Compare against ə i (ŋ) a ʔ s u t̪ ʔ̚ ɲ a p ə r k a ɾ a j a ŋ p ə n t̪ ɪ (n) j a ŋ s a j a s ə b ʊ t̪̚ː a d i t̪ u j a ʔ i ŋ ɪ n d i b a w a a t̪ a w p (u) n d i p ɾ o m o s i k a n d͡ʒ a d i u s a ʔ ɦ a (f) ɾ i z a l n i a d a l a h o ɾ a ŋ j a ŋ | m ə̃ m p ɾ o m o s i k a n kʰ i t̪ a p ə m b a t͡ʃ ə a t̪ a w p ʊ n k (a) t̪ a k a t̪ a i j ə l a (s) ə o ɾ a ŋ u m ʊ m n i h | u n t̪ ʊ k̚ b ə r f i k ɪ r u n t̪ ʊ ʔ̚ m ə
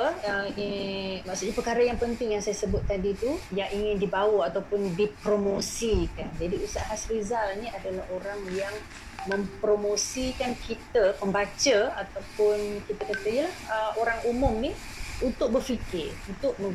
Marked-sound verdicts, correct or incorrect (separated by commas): incorrect, incorrect, incorrect, incorrect, incorrect, incorrect